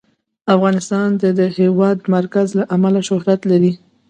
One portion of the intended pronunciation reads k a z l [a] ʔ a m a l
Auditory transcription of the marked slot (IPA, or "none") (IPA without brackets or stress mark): a